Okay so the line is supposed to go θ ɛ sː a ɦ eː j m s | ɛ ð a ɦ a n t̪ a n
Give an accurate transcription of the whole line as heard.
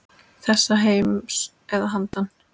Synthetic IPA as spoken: θ ɛ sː a ɦ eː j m s | ɛ ð a ɦ a n t̪ a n